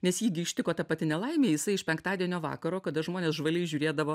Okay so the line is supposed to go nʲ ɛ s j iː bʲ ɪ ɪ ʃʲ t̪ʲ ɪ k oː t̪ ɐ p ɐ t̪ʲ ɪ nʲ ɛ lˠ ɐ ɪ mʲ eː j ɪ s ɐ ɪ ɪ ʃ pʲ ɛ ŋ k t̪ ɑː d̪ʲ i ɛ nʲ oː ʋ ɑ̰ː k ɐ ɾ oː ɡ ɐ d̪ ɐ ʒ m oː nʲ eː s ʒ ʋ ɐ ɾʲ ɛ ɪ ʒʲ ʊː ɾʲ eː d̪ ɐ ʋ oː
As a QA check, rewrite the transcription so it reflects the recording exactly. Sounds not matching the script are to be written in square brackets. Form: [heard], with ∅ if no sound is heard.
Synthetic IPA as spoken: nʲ ɛ s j iː [ɡʲ] ɪ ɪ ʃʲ t̪ʲ ɪ k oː t̪ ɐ p ɐ t̪ʲ ɪ nʲ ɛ lˠ ɐ ɪ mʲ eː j ɪ s ɐ ɪ ɪ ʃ pʲ ɛ ŋ k t̪ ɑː d̪ʲ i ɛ nʲ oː ʋ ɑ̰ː k ɐ ɾ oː [k] ɐ d̪ ɐ ʒ m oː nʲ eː s ʒ ʋ ɐ [lʲ] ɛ ɪ ʒʲ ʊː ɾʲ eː d̪ ɐ ʋ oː